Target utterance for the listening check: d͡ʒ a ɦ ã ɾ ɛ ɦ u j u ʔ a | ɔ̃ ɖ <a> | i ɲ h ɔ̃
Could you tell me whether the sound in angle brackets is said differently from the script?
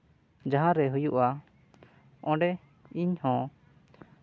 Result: yes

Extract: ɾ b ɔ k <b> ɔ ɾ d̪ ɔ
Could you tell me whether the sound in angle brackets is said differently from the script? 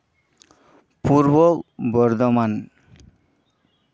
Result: no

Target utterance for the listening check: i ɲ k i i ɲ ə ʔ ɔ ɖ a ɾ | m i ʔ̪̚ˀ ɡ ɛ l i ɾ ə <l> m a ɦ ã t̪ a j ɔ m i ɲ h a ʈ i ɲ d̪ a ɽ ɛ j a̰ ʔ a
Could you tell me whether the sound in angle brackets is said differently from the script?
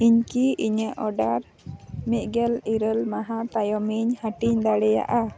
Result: no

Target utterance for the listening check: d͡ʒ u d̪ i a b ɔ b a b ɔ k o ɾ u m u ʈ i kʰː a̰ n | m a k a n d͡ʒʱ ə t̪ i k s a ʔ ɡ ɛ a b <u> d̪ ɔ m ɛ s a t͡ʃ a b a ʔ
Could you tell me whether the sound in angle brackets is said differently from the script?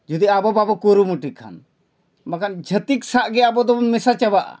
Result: yes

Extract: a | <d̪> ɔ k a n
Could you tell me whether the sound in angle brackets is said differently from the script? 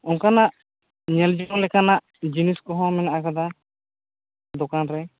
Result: no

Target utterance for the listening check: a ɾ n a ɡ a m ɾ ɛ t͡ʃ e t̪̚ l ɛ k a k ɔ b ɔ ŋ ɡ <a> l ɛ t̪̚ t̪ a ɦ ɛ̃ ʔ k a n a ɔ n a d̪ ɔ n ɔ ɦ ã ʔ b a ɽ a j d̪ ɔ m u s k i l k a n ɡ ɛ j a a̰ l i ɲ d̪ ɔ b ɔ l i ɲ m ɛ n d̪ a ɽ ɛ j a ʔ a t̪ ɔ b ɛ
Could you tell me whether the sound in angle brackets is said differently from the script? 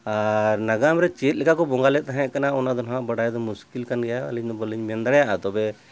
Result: no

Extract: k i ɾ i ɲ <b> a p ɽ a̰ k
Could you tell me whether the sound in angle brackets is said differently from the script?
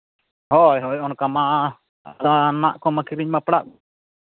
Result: yes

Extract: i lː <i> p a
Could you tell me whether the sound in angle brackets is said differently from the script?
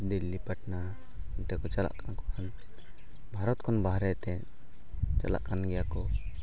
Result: no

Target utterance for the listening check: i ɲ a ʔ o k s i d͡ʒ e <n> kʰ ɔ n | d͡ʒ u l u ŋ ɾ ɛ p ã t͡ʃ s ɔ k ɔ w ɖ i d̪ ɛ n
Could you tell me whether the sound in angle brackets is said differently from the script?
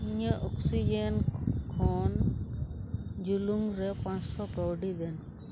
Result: no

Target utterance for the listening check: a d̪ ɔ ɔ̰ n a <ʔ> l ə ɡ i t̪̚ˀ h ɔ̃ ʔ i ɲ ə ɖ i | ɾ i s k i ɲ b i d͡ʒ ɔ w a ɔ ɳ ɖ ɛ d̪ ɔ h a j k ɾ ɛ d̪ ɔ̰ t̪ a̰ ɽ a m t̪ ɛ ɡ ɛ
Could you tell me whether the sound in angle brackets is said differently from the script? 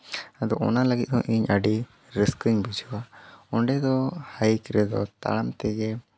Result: yes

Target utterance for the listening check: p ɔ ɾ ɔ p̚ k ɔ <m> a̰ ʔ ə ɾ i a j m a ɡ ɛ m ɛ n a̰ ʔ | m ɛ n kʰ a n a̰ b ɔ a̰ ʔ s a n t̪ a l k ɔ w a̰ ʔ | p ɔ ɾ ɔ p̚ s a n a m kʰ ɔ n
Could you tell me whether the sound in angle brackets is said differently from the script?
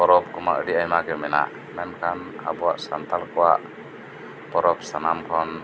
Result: no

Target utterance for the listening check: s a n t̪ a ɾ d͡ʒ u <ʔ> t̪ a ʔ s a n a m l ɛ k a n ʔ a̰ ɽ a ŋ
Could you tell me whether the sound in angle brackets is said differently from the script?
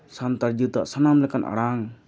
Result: yes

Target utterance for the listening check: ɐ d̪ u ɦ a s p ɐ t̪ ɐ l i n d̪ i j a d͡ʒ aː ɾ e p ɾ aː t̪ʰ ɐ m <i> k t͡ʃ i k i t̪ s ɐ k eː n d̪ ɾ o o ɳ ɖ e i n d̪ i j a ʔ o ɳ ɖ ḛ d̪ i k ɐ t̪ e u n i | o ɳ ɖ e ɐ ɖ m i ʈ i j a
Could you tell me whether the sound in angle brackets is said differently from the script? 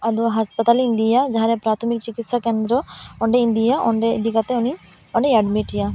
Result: no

